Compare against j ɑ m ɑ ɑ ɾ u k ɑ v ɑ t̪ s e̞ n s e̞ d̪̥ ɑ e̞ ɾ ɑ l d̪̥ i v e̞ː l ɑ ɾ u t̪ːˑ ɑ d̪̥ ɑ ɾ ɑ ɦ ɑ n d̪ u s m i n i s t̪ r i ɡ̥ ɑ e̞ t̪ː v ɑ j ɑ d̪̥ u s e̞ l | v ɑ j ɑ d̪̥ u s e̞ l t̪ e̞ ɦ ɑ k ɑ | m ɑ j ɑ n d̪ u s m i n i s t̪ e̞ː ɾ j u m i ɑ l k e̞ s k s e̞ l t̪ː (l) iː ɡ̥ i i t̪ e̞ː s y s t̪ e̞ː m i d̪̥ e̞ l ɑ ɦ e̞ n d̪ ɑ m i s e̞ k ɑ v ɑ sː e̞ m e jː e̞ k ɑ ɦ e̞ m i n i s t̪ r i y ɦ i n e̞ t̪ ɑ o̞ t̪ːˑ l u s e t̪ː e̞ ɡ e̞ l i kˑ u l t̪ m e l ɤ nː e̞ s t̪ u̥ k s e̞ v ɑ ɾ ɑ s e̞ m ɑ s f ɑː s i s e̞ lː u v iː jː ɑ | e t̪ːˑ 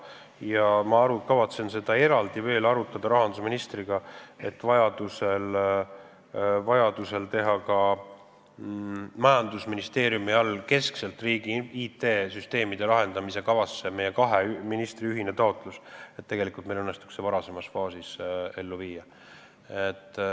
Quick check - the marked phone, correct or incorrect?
incorrect